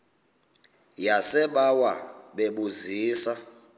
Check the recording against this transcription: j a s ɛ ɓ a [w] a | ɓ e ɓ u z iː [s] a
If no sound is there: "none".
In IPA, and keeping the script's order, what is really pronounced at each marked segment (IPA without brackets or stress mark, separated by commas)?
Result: w, s